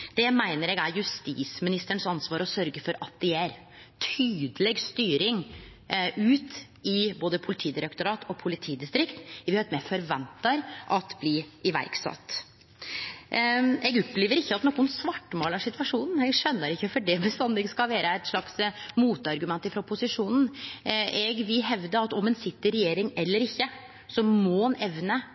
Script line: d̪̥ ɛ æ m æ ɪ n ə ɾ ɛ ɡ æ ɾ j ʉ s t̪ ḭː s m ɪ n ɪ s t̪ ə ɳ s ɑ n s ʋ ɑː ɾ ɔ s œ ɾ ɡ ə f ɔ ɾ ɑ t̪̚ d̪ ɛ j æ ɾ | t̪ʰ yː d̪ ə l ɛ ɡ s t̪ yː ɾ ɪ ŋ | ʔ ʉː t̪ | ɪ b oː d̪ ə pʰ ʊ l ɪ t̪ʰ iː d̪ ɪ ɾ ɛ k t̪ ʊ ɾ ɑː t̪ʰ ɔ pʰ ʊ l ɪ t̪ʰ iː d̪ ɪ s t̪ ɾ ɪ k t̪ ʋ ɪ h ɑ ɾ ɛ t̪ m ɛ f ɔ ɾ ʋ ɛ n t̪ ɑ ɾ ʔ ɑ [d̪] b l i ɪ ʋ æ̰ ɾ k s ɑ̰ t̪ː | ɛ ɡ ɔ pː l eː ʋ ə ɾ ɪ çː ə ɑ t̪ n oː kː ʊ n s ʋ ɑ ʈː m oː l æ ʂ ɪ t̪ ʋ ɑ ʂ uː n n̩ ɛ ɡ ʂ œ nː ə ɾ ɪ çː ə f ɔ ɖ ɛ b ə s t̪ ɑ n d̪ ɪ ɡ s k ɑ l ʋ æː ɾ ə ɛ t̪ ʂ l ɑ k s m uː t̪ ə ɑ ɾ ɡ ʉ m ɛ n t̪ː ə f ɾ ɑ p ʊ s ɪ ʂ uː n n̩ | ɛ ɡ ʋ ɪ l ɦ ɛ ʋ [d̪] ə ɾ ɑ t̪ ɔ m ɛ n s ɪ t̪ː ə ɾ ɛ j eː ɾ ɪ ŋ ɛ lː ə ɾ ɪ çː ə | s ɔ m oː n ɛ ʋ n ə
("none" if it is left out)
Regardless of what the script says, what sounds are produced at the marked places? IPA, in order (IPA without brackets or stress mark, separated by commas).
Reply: t̪, d̪